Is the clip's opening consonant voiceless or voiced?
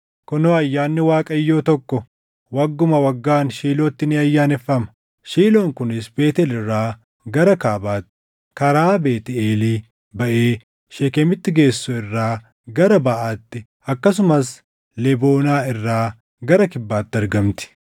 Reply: voiceless